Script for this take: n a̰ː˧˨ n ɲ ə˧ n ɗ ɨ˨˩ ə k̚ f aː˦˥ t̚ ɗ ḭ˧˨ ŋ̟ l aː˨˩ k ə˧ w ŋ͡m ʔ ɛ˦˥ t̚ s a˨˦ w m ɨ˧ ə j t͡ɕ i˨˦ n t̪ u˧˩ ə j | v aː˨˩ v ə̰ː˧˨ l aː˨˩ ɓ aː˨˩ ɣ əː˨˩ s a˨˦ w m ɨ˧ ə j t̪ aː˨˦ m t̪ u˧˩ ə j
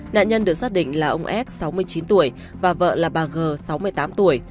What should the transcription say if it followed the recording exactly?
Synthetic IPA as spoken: n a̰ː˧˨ n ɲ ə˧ n ɗ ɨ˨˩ ə k̚ s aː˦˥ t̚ ɗ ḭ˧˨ ŋ̟ l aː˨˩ ʔ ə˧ w ŋ͡m ʔ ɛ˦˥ t̚ s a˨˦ w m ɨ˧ ə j t͡ɕ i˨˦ n t̪ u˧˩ ə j | v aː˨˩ v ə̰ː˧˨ l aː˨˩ ɓ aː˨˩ ɣ əː˨˩ s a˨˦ w m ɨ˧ ə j t̪ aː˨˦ m t̪ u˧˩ ə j